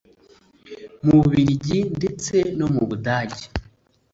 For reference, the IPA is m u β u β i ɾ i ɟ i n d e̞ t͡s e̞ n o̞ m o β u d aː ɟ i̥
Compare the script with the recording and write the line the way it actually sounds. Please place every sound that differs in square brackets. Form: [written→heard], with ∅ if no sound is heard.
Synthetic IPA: m u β u β i ɾ i ɟ i n d e̞ t͡s e̞ n o̞ m [o→u] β u d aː ɟ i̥